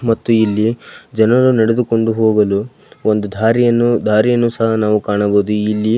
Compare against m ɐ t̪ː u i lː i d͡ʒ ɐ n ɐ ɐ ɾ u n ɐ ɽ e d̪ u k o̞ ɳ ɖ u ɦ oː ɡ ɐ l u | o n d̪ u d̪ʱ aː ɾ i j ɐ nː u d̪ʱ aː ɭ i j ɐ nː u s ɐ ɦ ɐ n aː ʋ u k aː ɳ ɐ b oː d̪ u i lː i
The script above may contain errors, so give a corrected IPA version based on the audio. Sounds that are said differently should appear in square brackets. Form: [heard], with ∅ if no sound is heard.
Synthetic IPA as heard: m ɐ t̪ː u i lː i d͡ʒ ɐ n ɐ ɐ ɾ u n ɐ ɽ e d̪ u k o̞ ɳ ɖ u ɦ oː ɡ ɐ l u | o n d̪ u d̪ʱ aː ɾ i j ɐ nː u d̪ʱ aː [ɾ] i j ɐ nː u s ɐ ɦ ɐ n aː ʋ u k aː ɳ ɐ b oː d̪ u i lː i